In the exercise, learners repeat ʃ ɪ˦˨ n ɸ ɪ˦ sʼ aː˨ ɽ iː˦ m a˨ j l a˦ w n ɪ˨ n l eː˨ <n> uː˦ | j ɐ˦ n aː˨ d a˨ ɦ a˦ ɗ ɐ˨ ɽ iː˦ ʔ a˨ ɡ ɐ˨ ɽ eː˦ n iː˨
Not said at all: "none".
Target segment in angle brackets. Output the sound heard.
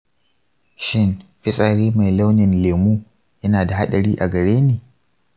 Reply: m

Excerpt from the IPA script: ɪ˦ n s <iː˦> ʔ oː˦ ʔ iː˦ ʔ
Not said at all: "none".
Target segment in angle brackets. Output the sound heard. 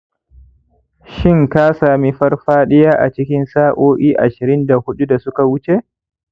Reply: aː˦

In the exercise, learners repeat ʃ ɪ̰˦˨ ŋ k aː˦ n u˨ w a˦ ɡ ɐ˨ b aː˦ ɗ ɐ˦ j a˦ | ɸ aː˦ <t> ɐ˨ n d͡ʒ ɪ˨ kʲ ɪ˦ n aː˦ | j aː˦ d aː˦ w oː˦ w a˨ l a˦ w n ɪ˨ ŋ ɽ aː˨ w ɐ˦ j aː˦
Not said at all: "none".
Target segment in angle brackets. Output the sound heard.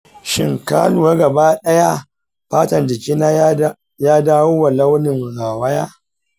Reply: t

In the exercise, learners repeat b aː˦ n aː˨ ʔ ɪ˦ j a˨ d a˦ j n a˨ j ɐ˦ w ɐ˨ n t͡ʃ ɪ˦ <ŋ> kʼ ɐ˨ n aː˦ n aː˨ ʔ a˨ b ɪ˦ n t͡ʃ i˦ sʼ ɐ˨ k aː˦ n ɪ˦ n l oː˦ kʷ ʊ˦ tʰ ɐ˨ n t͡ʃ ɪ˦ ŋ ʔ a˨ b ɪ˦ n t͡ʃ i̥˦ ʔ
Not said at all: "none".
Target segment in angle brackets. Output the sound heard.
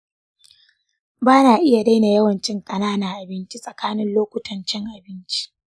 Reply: ŋ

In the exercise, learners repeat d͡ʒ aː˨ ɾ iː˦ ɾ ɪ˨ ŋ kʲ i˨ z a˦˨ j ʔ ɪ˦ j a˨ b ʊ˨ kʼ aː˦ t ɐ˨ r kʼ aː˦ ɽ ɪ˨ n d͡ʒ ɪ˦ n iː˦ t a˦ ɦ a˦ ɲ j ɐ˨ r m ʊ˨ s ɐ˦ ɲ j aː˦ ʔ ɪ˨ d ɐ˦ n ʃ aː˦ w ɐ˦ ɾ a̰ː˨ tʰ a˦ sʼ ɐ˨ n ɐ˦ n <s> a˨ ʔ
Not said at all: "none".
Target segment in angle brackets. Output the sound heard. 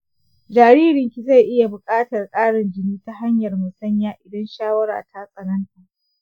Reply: t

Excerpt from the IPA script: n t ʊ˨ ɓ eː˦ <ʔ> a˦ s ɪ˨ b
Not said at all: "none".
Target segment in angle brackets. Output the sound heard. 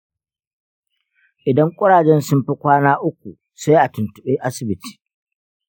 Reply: ʔ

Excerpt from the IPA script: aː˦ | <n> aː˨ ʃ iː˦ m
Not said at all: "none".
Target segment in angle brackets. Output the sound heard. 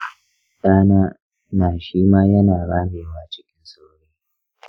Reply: n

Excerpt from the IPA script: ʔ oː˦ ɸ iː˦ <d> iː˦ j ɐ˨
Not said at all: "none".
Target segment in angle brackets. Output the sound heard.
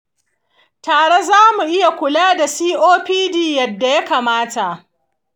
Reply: d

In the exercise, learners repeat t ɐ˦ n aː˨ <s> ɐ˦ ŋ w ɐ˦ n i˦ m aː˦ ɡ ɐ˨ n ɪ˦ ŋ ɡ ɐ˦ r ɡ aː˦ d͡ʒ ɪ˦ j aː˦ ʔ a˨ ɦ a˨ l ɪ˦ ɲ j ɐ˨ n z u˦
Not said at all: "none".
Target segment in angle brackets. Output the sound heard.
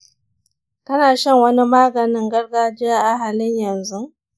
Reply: ʃ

